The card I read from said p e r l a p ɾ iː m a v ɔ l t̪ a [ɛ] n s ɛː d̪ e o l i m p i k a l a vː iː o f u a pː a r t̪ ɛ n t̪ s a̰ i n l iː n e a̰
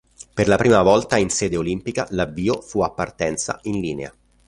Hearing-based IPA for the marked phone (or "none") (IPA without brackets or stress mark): i